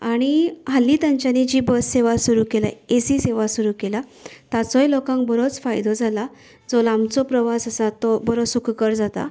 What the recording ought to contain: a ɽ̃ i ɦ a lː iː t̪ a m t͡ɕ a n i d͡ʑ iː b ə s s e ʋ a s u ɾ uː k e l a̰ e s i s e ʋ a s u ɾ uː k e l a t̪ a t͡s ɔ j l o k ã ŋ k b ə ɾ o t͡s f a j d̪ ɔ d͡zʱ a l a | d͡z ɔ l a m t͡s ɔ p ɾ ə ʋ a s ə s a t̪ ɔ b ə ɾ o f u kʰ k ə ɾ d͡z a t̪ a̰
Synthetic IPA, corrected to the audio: a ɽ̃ i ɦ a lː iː t̪ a ɲ t͡ɕ a n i d͡ʑ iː b ə s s e ʋ a s u ɾ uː k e l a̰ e s i s e ʋ a s u ɾ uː k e l a t̪ a t͡s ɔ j l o k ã ŋ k b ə ɾ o t͡s f a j d̪ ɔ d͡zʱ a l a | d͡z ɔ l a m t͡s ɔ p ɾ ə ʋ a s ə s a t̪ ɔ b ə ɾ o s u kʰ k ə ɾ d͡z a t̪ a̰